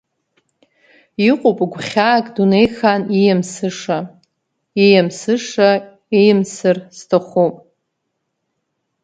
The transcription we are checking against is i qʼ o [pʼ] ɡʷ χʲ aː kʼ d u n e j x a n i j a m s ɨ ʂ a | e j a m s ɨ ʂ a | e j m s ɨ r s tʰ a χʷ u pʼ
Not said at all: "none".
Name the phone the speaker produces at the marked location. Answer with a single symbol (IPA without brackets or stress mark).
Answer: pʼ